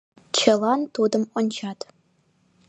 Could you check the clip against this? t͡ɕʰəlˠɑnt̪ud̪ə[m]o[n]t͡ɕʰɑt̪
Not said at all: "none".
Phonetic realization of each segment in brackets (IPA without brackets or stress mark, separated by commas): m, n